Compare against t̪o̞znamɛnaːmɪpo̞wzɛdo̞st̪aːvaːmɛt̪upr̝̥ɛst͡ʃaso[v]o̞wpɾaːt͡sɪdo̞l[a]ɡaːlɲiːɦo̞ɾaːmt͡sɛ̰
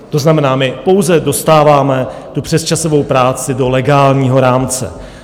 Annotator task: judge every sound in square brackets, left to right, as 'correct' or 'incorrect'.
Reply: correct, incorrect

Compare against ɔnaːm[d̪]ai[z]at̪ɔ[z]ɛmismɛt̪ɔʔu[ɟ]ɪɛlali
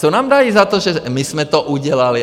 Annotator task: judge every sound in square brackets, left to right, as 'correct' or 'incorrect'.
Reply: correct, correct, incorrect, correct

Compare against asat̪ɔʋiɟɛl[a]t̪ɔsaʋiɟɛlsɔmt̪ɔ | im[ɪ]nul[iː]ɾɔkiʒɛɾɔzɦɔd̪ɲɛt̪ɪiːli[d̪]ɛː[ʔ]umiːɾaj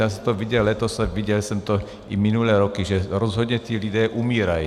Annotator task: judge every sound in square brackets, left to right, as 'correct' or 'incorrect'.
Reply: incorrect, incorrect, incorrect, correct, correct

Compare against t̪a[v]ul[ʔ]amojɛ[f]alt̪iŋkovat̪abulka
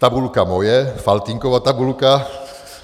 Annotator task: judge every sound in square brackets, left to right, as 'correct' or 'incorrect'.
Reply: incorrect, incorrect, correct

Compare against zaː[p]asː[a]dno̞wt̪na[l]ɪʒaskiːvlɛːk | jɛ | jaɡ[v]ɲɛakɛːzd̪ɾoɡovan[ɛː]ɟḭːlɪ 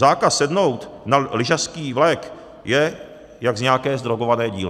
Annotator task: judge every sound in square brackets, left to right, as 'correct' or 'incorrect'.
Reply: incorrect, incorrect, correct, incorrect, correct

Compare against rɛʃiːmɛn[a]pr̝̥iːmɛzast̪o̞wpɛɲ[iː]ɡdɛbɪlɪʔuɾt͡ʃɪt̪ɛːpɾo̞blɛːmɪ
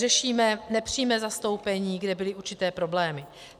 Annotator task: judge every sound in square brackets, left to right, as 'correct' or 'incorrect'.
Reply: incorrect, correct

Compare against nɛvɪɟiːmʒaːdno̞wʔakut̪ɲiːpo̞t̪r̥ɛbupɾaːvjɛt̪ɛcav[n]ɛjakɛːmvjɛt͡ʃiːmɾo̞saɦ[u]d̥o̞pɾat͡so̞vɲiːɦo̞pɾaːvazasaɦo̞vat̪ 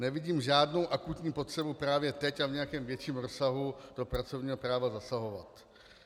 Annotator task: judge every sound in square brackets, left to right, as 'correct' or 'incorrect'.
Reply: incorrect, correct

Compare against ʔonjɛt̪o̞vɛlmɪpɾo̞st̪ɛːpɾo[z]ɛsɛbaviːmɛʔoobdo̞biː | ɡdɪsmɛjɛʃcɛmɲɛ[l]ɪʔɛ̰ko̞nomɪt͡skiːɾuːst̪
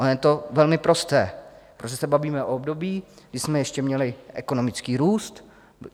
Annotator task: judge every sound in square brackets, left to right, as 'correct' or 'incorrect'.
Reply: incorrect, correct

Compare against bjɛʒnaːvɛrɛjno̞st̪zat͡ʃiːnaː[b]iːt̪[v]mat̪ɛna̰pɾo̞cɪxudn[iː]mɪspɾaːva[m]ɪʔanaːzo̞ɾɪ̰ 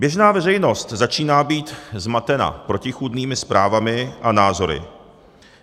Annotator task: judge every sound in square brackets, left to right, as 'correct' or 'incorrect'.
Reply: correct, incorrect, correct, correct

